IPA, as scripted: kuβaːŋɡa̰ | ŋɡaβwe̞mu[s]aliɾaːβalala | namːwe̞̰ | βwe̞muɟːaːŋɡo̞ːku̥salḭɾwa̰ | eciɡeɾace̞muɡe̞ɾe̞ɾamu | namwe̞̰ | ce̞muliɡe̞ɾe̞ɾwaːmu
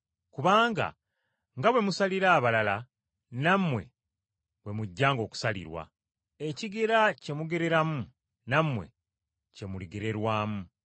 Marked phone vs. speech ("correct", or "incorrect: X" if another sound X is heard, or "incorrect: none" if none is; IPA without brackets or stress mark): correct